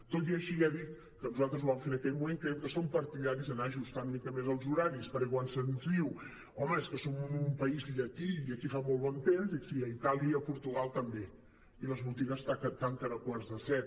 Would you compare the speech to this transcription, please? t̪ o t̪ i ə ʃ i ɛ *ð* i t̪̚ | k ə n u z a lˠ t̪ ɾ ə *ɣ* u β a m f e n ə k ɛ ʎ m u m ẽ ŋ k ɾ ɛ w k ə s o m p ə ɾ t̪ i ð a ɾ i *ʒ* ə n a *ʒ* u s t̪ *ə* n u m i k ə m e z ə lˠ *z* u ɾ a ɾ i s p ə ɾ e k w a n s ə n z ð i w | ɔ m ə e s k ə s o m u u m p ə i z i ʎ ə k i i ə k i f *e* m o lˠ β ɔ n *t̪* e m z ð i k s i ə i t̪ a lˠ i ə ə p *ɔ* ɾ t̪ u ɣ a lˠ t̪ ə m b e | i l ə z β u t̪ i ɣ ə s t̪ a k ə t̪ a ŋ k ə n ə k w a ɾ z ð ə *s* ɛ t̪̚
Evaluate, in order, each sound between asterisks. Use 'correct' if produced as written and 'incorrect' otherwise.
correct, incorrect: z, incorrect: z, correct, incorrect: a, correct, incorrect: a, correct, incorrect: u, correct

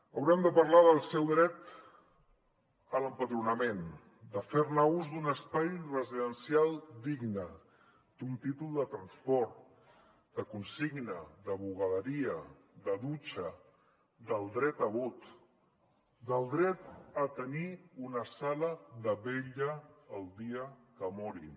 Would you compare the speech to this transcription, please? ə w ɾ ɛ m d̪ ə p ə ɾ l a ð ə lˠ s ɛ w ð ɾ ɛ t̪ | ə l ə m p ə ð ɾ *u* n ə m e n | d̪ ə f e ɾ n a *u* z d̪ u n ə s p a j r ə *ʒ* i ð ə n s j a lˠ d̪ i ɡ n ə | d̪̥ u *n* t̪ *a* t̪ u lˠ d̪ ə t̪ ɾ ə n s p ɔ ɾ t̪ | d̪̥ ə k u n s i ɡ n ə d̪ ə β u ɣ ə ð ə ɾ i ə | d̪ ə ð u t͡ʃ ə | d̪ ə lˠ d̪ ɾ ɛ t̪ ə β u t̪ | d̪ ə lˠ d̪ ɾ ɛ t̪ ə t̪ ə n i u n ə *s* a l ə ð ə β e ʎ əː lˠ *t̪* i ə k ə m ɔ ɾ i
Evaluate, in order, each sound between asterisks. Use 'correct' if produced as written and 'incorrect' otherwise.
correct, correct, incorrect: z, correct, incorrect: i, correct, incorrect: d̪

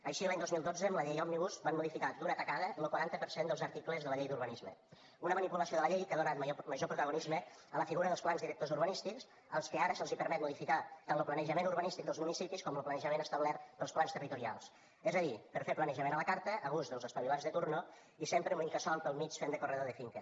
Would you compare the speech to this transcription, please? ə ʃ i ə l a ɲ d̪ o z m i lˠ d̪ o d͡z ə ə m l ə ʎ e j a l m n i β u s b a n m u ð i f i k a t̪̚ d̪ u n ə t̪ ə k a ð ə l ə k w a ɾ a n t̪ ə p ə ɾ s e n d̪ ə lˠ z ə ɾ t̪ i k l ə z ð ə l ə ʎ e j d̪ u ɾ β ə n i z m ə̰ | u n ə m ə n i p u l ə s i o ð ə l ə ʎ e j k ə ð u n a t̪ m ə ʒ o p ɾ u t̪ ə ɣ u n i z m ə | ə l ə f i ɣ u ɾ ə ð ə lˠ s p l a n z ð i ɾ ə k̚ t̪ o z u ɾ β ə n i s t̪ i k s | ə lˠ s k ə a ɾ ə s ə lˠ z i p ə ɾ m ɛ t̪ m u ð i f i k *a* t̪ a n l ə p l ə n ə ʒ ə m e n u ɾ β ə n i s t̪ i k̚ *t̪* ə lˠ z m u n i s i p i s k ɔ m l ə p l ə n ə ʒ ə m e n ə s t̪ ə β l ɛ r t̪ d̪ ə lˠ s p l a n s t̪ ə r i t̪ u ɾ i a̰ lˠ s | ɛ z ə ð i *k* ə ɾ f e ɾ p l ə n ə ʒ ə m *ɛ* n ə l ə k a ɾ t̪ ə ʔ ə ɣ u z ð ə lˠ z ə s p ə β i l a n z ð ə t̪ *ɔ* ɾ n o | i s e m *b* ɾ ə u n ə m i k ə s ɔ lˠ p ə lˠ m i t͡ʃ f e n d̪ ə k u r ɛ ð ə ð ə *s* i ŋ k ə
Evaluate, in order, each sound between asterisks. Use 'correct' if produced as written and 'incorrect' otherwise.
correct, incorrect: d̪, incorrect: p, incorrect: e, incorrect: u, incorrect: p, incorrect: f

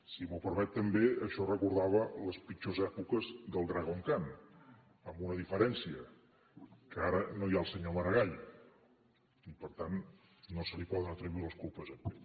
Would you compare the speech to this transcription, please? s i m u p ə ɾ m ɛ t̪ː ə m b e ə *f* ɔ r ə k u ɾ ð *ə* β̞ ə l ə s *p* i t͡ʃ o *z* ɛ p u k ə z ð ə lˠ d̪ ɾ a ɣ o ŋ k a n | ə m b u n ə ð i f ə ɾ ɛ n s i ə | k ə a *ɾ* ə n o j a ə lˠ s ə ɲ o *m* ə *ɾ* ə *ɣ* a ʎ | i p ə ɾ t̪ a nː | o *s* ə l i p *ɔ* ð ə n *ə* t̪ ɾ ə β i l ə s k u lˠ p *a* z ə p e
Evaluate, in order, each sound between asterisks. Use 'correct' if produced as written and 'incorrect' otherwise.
incorrect: ʃ, incorrect: a, correct, correct, correct, correct, correct, correct, correct, correct, correct, incorrect: ə

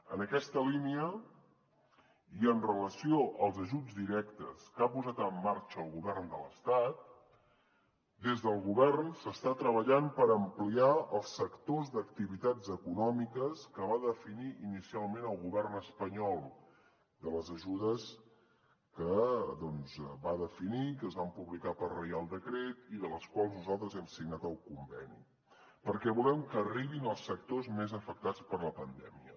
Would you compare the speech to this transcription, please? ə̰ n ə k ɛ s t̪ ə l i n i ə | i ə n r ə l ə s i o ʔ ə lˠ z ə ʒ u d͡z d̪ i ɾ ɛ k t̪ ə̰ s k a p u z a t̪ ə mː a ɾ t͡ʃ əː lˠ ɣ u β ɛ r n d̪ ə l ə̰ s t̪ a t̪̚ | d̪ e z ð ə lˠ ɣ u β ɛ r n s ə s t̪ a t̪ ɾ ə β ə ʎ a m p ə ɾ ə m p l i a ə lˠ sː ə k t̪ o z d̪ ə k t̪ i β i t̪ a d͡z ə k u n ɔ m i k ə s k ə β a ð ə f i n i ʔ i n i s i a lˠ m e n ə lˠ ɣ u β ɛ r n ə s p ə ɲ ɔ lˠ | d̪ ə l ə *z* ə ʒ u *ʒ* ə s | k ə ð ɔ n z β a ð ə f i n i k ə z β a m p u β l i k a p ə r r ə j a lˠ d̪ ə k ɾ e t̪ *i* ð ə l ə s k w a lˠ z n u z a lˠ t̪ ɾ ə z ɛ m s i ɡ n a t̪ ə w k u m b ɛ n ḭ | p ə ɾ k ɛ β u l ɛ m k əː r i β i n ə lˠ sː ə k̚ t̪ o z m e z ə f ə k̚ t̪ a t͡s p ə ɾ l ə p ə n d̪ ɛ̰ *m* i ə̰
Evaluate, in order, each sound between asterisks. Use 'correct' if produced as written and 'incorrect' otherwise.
correct, incorrect: ð, correct, correct

